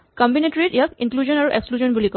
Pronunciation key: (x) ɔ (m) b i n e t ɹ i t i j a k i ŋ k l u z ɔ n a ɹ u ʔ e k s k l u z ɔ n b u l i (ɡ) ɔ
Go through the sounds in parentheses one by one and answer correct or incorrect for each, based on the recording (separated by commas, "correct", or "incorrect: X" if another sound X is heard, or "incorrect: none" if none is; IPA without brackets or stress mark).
incorrect: k, correct, incorrect: k